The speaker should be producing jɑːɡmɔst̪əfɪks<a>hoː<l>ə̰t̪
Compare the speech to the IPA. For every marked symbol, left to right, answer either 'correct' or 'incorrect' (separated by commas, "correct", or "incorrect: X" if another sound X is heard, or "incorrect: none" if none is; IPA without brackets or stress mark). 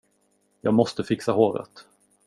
correct, incorrect: ɾ